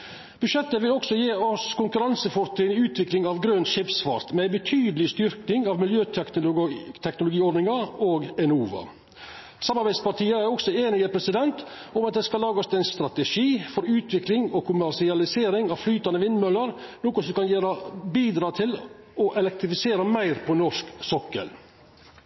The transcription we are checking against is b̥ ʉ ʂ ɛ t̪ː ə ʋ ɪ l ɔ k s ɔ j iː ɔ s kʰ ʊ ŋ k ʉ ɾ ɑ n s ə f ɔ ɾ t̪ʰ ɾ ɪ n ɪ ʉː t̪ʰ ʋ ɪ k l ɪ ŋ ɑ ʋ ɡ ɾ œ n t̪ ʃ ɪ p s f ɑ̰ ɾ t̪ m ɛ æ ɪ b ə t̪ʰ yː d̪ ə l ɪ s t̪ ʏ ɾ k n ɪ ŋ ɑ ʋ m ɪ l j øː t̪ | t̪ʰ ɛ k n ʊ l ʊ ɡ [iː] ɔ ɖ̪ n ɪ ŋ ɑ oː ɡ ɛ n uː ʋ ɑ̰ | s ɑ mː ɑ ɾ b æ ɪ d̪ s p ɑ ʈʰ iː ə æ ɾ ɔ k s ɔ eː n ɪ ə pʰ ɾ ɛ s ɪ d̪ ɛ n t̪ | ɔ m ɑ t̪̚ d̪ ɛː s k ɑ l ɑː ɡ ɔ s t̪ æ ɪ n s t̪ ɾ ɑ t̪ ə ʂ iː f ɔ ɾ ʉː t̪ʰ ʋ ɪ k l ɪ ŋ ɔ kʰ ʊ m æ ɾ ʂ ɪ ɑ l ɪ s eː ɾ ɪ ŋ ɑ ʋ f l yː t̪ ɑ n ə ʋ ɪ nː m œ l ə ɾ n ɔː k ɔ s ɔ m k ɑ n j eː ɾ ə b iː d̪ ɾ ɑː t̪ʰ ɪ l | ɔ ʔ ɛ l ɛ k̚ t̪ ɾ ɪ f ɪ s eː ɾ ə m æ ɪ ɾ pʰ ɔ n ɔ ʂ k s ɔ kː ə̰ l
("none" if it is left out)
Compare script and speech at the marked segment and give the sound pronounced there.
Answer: iː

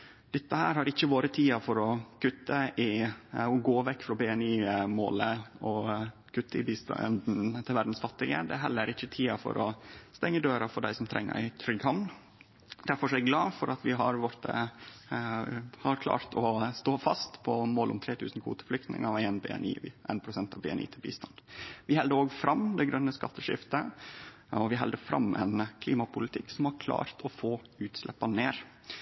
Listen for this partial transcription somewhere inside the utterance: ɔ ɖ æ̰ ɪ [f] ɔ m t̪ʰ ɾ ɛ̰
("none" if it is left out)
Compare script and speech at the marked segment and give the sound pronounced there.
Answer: s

